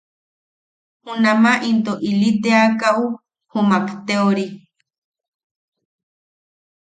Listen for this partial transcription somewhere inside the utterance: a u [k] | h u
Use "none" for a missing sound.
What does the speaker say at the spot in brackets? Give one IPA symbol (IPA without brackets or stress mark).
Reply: none